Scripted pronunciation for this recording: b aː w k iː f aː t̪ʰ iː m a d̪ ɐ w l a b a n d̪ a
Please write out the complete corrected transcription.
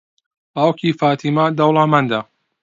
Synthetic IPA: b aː w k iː f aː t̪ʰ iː m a d̪ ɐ w l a m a n d̪ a